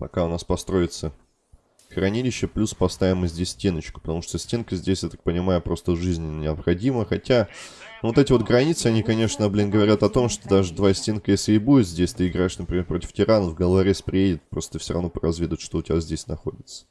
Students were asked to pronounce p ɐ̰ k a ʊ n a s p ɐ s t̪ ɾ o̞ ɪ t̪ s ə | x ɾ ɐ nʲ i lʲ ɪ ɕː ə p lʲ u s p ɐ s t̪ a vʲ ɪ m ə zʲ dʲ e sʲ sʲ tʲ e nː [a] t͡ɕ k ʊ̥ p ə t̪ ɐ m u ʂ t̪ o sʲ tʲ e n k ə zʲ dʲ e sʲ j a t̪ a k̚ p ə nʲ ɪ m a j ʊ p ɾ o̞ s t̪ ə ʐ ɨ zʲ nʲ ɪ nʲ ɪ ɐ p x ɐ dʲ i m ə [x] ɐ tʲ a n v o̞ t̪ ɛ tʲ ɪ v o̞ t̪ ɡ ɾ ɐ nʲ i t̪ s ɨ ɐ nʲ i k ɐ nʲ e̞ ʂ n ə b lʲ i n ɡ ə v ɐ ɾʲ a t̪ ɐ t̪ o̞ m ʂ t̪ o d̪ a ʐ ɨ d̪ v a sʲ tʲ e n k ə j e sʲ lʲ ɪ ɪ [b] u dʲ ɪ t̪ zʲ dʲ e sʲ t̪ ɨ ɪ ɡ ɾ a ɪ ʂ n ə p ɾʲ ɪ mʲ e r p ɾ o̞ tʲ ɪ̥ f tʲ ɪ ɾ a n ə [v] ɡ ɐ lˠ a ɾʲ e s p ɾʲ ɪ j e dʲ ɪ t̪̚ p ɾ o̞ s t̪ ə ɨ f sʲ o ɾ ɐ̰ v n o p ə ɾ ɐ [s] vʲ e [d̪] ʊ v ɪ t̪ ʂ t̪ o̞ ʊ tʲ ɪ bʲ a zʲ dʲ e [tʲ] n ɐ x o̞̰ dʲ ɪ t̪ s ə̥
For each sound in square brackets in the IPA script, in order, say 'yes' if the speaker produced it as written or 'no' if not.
no, yes, yes, yes, no, yes, no

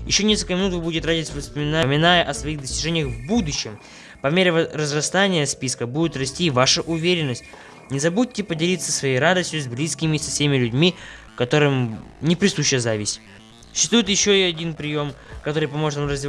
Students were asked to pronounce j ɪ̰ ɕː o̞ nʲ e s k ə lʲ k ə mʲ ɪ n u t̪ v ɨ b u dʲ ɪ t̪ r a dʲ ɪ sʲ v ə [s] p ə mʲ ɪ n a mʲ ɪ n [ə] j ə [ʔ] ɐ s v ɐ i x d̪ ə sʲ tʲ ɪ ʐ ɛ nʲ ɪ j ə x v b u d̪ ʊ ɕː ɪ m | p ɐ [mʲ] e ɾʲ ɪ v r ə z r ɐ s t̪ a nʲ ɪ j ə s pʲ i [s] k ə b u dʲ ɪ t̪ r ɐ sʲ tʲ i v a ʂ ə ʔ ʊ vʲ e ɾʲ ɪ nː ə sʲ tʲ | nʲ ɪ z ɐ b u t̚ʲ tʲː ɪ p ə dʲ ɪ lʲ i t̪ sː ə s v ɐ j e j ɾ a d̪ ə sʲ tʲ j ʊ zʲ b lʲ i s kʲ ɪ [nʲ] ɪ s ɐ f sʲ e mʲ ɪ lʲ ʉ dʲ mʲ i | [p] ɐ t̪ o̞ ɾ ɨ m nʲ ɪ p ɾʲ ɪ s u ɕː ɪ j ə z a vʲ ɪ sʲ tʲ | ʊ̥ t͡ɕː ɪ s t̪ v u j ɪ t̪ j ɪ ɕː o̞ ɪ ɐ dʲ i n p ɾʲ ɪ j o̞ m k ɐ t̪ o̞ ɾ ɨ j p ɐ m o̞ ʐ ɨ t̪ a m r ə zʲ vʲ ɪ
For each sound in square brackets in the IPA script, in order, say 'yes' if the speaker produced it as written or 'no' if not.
yes, no, yes, yes, yes, no, no

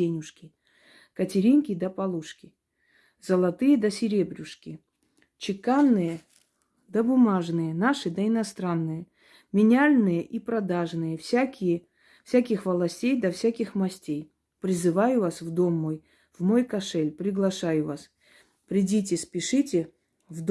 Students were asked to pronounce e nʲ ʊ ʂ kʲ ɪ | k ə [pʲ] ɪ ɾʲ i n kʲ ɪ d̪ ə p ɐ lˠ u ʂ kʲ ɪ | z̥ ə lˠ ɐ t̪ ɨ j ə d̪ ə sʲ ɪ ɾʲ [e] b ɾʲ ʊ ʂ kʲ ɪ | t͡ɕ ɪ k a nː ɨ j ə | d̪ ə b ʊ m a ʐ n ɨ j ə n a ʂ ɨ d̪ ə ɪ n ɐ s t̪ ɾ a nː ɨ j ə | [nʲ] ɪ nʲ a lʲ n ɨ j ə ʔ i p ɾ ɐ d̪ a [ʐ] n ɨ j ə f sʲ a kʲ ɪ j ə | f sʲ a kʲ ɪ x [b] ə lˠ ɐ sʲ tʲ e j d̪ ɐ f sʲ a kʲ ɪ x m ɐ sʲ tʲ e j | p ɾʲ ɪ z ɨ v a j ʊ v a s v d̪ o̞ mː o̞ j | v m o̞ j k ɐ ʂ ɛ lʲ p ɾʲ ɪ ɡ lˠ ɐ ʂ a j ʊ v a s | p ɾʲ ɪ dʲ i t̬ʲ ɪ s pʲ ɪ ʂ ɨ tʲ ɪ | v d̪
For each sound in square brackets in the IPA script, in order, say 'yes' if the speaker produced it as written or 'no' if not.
no, yes, no, yes, no

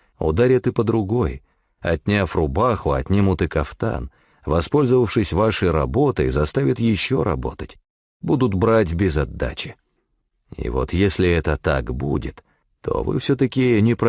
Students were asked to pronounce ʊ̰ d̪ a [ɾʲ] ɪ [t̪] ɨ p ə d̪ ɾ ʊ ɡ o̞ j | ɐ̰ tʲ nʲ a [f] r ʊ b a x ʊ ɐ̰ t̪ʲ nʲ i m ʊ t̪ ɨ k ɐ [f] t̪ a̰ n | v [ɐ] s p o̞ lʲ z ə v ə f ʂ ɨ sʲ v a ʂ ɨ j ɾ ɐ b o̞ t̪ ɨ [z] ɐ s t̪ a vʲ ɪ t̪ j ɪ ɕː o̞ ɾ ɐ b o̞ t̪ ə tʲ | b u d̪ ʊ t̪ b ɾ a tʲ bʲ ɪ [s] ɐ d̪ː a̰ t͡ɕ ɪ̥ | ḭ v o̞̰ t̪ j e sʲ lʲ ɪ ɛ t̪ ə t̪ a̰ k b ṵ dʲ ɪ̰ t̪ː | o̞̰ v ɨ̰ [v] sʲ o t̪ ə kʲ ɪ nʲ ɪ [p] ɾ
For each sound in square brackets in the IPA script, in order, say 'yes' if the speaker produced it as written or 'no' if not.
yes, yes, yes, yes, yes, yes, no, no, yes

